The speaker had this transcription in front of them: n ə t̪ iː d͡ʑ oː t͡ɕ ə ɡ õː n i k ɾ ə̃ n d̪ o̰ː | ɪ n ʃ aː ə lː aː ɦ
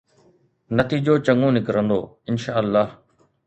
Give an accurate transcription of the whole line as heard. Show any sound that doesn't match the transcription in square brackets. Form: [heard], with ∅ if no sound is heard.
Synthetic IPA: n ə t̪ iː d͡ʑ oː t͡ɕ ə [ŋ] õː n [ɪ] k ɾ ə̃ n d̪ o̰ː | ɪ n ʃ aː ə lː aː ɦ

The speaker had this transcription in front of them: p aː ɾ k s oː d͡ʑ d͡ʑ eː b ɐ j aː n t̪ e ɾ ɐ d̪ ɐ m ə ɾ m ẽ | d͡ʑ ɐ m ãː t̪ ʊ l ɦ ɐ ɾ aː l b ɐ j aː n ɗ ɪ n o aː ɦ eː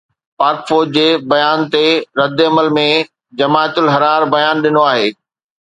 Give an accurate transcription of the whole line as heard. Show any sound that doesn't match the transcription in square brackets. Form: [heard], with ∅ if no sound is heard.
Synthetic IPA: p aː ɾ k [f] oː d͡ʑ d͡ʑ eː b ɐ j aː n t̪ e ɾ ɐ d̪ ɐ m ə [l] m ẽ | d͡ʑ ɐ m [aː] t̪ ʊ l ɦ ɐ ɾ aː [ɾ] b ɐ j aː n ɗ ɪ n o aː ɦ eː

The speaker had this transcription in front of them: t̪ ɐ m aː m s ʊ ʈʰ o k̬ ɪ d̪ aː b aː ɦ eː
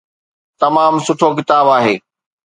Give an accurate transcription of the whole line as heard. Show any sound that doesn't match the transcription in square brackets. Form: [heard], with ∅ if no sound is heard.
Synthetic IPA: t̪ ɐ m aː m s ʊ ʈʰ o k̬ ɪ [t̪] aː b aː ɦ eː

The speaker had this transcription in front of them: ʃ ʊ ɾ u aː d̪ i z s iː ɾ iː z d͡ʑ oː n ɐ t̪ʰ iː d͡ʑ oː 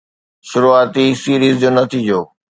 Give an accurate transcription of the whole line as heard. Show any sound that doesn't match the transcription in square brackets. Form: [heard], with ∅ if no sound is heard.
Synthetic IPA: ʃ ʊ ɾ u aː [t̪] i [∅] s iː ɾ iː z d͡ʑ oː n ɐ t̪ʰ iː d͡ʑ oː

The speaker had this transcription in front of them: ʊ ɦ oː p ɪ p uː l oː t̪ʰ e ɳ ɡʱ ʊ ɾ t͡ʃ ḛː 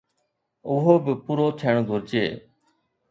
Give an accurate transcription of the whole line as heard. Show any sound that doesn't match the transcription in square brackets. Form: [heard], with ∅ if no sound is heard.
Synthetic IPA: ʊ ɦ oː [b] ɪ p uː [ɾ] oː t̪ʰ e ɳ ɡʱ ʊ ɾ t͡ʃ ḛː

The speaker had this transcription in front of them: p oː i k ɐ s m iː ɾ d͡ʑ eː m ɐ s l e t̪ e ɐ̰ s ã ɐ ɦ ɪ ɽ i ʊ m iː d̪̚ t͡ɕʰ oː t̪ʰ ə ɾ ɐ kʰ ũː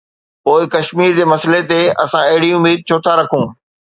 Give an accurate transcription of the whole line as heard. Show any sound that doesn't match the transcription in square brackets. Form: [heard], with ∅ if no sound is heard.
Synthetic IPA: p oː [ɪ] k ɐ [ʃ] m iː ɾ d͡ʑ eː m ɐ s l e t̪ e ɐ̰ s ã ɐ ɦ ɪ ɽ i ʊ m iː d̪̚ t͡ɕʰ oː t̪ʰ [a] ɾ ɐ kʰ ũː

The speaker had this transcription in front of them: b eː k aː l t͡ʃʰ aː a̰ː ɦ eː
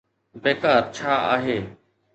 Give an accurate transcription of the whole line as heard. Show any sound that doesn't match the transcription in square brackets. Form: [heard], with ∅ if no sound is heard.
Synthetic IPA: b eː k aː [ɾ] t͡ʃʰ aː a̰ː ɦ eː

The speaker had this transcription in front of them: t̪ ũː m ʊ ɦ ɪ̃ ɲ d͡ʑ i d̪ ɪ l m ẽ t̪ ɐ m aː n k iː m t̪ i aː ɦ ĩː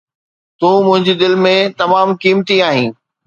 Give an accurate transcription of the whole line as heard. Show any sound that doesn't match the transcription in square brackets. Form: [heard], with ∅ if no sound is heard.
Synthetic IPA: t̪ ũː m [ʊ̃] ɦ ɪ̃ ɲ d͡ʑ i d̪ ɪ l m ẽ t̪ ɐ m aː [m] k iː m t̪ i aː ɦ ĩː

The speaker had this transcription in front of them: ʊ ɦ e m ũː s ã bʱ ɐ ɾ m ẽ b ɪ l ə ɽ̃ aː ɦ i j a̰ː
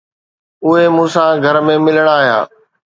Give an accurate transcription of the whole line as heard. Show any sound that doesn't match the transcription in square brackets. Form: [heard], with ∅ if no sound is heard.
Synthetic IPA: ʊ ɦ e m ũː s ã [ɡʱ] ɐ ɾ m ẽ [m] ɪ l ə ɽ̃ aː ɦ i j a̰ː

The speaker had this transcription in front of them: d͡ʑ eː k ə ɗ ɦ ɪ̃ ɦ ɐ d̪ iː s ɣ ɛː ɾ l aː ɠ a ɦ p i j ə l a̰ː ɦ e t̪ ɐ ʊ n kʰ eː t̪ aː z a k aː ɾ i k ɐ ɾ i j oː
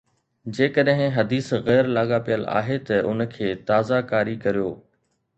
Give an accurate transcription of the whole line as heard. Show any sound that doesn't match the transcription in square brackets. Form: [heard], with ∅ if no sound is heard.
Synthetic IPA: d͡ʑ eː k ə ɗ ɦ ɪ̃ ɦ ɐ d̪ iː s ɣ ɛː ɾ l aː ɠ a [∅] p i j ə l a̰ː ɦ e t̪ ɐ ʊ n kʰ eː t̪ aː z a k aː ɾ i k ɐ ɾ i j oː

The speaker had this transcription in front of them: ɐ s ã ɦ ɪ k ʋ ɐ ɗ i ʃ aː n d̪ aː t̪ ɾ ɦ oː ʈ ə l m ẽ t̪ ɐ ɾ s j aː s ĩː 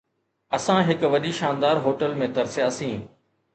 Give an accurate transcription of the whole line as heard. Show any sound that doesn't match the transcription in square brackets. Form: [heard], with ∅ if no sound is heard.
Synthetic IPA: ɐ s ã ɦ ɪ k ʋ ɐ ɗ i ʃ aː n d̪ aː [∅] ɾ ɦ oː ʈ ə l m ẽ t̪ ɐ ɾ s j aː s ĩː

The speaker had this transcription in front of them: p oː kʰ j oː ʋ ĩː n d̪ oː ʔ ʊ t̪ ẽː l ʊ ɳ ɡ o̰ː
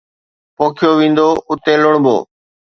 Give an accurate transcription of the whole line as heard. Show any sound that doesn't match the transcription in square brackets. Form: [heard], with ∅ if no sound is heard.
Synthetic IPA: p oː kʰ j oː ʋ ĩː n d̪ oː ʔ ʊ t̪ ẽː l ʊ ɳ [b] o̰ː

